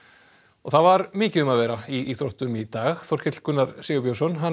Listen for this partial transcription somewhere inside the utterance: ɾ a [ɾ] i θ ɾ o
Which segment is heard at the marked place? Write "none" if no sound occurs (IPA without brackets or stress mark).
none